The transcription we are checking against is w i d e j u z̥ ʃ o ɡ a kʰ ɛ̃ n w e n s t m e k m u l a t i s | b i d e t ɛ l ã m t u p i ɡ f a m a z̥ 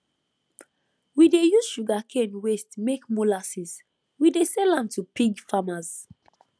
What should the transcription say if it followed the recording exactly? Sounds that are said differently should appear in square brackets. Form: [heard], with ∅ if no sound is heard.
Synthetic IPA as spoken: w i d e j u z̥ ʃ [u] ɡ a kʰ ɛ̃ n w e [∅] s t m e k m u l a [s] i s | [w] i d e [s] ɛ l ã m t u p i ɡ f a m a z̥